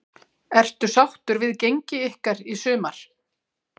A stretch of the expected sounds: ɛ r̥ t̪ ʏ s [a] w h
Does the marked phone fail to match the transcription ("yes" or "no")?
no